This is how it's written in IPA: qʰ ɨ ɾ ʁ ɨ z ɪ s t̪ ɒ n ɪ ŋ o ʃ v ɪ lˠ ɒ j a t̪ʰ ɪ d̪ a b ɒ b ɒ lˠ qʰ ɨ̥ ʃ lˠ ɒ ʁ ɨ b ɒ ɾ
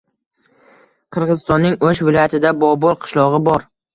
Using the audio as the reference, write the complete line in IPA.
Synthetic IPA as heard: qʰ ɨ ɾ ʁ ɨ z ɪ s t̪ ɒ nː ɪ ŋ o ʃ v ɪ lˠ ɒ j a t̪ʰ ɪ d̪ a b ɒ b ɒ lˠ qʰ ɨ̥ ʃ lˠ ɒ ʁ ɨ b ɒ ɾ